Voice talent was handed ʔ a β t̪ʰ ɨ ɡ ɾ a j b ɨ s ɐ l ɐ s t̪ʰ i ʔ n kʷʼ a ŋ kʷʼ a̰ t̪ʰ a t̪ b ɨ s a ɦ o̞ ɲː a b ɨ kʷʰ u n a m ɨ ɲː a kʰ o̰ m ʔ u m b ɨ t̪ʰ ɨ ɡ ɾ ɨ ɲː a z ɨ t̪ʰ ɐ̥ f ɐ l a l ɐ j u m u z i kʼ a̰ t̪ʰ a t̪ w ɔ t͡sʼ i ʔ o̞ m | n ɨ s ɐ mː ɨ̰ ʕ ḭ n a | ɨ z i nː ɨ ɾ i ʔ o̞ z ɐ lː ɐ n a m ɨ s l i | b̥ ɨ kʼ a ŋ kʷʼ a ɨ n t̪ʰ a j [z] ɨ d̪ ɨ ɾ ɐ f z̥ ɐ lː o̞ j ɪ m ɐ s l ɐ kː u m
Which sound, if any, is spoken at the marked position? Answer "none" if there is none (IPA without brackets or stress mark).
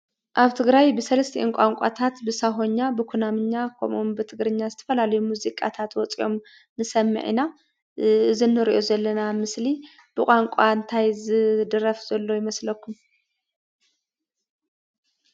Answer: z